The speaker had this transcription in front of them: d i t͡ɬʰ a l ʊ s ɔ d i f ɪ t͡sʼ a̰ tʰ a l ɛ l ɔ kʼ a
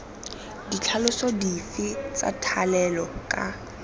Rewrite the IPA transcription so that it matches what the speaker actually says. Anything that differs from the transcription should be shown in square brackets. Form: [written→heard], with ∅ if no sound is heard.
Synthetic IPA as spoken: d i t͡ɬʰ a l ʊ s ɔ d i f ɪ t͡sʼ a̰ tʰ a l ɛ l ɔ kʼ a